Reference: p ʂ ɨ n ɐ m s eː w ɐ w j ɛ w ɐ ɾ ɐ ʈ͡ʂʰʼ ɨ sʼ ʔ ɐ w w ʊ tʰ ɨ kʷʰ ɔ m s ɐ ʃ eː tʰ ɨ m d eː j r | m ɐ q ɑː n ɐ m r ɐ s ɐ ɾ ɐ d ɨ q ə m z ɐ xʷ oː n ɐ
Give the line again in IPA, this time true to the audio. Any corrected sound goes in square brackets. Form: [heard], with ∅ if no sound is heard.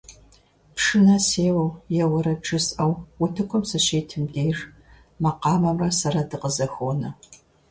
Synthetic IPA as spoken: p ʂ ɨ n ɐ [∅] s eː w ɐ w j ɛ w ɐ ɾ ɐ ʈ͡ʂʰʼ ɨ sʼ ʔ ɐ w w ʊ tʰ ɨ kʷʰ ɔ m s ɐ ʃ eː tʰ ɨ m d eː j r | m ɐ q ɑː [m] ɐ m r ɐ s ɐ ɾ ɐ d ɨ q ə [∅] z ɐ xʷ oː n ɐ

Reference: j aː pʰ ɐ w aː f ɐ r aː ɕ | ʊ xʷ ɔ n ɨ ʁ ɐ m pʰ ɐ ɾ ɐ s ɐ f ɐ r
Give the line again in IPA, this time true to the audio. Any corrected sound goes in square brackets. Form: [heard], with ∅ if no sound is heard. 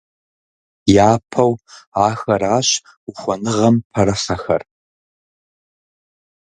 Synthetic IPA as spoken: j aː pʰ ɐ w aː [x] ɐ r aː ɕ | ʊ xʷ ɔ n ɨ ʁ ɐ m pʰ ɐ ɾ ɐ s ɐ [x] ɐ r

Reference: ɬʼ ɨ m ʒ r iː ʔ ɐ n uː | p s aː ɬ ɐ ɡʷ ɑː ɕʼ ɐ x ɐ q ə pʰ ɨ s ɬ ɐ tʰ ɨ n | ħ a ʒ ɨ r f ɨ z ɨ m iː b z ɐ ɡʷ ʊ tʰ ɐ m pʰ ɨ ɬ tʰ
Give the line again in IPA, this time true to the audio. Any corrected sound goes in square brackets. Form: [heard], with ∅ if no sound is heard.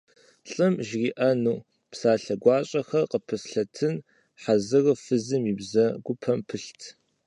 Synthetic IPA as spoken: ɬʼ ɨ m ʒ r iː ʔ ɐ n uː | p s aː ɬ ɐ ɡʷ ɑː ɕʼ ɐ x ɐ q ə pʰ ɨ s ɬ ɐ tʰ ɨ n | ħ a [z] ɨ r f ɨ z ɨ m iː b z ɐ ɡʷ ʊ [pʰ] ɐ m pʰ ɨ ɬ tʰ

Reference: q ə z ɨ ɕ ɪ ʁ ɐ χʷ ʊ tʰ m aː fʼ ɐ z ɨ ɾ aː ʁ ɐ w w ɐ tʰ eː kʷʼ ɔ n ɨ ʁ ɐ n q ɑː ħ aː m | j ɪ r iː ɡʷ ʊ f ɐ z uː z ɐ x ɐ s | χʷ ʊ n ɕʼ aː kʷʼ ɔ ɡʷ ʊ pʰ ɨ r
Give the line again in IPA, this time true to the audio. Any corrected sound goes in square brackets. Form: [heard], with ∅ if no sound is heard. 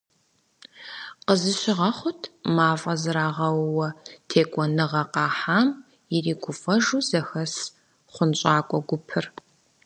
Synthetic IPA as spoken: q ə z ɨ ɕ ɪ ʁ ɐ χʷ ʊ tʰ m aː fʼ ɐ z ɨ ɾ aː ʁ ɐ w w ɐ tʰ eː kʷʼ ɔ n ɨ ʁ ɐ [∅] q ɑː ħ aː m | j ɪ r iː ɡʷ ʊ f ɐ [ʒ] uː z ɐ x ɐ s | χʷ ʊ n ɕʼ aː kʷʼ ɔ ɡʷ ʊ pʰ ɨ r

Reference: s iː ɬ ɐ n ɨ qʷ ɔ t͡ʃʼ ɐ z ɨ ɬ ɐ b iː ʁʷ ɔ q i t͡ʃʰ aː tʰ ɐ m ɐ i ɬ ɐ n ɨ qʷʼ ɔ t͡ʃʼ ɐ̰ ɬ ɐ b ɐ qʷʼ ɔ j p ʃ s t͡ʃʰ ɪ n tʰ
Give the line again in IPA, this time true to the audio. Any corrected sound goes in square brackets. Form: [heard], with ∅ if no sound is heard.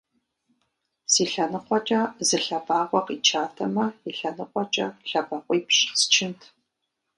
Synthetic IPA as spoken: s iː ɬ ɐ n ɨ qʷ ɔ t͡ʃʼ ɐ z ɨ ɬ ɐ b [aː] ʁʷ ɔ q i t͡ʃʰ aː tʰ ɐ m ɐ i ɬ ɐ n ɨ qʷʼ ɔ t͡ʃʼ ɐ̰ ɬ ɐ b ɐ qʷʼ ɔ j p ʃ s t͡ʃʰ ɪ n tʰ

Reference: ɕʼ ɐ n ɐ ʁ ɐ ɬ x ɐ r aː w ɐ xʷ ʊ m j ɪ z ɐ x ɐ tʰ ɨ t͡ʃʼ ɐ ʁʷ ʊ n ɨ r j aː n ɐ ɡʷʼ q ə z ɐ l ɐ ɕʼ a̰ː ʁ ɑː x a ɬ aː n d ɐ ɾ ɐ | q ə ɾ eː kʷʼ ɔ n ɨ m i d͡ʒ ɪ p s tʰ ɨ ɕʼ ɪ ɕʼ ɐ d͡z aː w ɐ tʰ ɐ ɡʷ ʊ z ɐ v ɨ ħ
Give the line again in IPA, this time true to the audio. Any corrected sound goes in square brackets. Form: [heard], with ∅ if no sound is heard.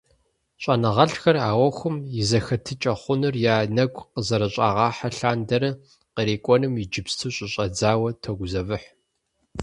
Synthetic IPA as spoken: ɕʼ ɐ n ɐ ʁ ɐ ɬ x ɐ r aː w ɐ xʷ ʊ m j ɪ z ɐ x ɐ tʰ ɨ t͡ʃʼ ɐ [χʷ] ʊ n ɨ r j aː n ɐ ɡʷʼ q ə z ɐ [ɾ] ɐ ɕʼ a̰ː ʁ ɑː [ħ] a ɬ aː n d ɐ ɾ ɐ | q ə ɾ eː kʷʼ ɔ n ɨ m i d͡ʒ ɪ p s tʰ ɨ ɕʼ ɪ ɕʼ ɐ d͡z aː w ɐ tʰ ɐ ɡʷ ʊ z ɐ v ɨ ħ

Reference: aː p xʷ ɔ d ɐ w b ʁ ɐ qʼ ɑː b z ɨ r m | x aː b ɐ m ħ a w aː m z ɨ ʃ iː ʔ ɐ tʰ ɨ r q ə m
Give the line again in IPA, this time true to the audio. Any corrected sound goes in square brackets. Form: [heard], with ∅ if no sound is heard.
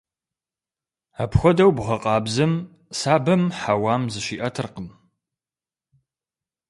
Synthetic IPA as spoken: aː p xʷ ɔ d ɐ w b ʁ ɐ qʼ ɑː b z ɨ [∅] m | [s] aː b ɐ m ħ a w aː m z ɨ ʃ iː ʔ ɐ tʰ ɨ r q ə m

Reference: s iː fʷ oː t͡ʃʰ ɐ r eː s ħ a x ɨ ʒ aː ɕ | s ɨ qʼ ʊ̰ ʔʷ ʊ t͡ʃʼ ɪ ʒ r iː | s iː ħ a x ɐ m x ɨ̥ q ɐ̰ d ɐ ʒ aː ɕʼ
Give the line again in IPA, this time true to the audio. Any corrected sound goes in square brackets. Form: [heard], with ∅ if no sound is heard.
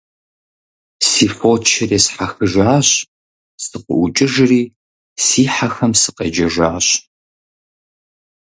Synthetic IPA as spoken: s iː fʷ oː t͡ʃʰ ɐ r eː s ħ a x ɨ ʒ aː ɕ | s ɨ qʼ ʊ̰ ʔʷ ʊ t͡ʃʼ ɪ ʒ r iː | s iː ħ a x ɐ m [s] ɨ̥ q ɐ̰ [d͡ʒ] ɐ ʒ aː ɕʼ

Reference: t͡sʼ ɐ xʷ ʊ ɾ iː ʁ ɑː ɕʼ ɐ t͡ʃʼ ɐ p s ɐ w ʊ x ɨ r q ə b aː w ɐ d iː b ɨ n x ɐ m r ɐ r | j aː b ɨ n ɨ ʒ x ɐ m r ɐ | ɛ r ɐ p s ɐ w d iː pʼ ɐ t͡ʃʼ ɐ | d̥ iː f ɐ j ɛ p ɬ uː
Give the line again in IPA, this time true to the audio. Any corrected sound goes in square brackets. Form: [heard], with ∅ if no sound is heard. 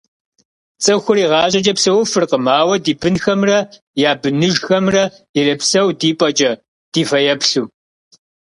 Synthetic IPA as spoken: t͡sʼ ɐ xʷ ʊ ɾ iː ʁ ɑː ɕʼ ɐ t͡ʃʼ ɐ p s ɐ w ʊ [f] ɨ r q ə [m] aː w ɐ d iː b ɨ n x ɐ m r ɐ [∅] | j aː b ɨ n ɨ ʒ x ɐ m r ɐ | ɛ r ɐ p s ɐ w d iː pʼ ɐ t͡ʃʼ ɐ | d̥ iː f ɐ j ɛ p ɬ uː

